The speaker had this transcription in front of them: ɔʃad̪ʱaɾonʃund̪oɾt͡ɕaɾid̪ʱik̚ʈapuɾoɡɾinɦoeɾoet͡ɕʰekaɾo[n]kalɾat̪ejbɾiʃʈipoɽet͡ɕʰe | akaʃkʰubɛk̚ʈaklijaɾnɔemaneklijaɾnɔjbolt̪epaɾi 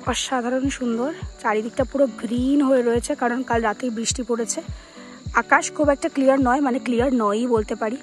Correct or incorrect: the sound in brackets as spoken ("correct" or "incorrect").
correct